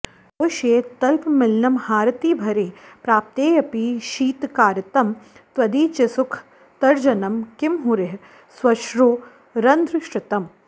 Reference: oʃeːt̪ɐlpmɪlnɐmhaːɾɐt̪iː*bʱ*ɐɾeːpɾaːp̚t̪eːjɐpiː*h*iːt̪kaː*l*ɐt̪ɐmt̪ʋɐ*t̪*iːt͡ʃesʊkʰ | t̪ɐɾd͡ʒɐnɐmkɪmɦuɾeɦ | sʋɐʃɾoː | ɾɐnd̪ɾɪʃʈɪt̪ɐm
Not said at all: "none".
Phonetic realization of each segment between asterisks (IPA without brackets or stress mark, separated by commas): bʱ, ʃ, ɾ, d̪